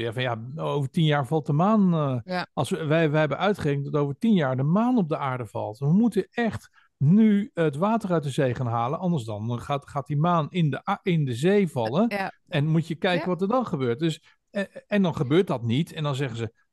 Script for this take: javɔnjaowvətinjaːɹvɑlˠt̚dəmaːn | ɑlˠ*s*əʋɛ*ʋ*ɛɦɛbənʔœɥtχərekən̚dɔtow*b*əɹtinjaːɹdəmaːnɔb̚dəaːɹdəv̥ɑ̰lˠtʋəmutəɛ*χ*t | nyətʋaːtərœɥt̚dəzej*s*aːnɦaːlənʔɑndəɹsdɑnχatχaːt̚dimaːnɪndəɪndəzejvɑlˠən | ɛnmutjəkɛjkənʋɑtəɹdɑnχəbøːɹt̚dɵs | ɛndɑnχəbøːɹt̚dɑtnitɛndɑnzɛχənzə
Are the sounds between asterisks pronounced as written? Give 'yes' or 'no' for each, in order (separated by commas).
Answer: yes, yes, no, yes, no